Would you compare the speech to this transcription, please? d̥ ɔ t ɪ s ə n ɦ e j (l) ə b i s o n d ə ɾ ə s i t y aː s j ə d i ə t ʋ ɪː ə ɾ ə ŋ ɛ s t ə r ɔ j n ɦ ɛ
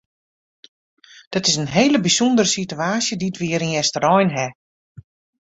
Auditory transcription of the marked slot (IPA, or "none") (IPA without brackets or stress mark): l